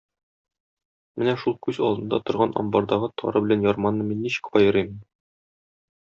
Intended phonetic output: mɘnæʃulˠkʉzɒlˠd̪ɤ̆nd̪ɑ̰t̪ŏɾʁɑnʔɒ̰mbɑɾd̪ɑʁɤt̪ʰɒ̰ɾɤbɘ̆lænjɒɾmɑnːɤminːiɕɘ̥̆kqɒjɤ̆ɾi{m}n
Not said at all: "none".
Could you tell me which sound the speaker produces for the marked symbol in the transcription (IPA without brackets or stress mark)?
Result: m